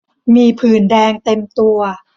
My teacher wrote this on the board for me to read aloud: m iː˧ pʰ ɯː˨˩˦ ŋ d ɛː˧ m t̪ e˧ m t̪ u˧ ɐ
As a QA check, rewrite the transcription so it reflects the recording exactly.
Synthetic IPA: m iː˧ pʰ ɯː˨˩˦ n d ɛː˧ ŋ t̪ e˧ m t̪ u˧ ɐ